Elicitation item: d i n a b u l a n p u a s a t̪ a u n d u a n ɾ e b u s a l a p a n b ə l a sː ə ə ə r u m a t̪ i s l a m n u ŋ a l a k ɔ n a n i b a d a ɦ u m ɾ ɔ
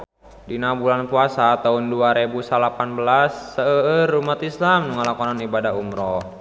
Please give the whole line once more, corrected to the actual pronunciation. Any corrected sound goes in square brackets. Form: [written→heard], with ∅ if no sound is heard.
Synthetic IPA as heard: d i n a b u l a n p u a s a t̪ a u n d u a [n→∅] ɾ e b u s a l a p a n b ə l a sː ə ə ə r u m a t̪ i s l a m n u ŋ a l a k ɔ n a n i b a d a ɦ u m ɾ ɔ